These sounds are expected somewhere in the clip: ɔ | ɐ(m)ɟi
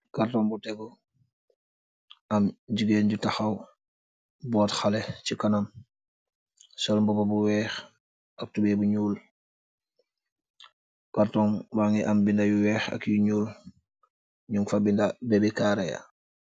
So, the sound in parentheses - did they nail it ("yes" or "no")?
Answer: yes